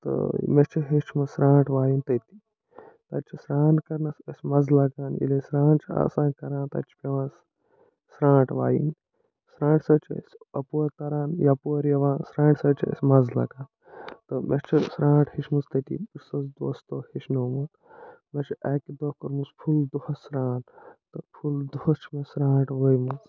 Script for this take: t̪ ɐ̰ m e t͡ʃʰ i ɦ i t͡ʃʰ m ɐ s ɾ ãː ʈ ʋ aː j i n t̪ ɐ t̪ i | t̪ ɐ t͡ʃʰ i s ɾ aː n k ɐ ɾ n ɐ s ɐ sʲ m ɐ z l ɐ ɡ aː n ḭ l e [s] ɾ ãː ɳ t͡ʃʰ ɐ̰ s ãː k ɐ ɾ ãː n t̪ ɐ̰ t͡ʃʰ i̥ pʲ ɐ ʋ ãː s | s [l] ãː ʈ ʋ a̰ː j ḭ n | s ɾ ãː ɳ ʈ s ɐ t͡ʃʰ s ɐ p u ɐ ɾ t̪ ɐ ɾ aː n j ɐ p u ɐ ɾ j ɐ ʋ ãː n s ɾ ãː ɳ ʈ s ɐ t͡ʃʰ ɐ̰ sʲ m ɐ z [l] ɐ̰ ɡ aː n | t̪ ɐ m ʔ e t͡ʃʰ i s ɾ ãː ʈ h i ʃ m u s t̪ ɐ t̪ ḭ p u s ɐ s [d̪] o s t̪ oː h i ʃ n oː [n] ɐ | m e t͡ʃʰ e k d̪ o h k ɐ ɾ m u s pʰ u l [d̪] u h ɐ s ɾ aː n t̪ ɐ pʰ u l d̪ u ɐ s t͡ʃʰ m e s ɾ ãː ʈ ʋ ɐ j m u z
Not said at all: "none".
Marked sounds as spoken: s, ɾ, l, d̪, m, d̪

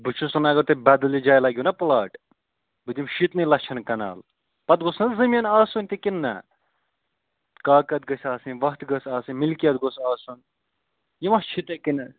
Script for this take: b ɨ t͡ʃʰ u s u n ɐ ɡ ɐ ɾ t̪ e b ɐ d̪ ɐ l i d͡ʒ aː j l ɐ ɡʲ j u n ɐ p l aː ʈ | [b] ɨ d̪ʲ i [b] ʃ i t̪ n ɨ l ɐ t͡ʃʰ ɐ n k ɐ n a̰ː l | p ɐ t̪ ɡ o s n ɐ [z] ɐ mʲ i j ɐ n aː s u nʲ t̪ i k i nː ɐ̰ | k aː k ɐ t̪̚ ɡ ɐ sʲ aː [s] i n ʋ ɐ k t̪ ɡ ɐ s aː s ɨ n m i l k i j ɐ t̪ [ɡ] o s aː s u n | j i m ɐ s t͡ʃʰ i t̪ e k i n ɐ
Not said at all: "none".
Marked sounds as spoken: b, m, z, s, ɡ

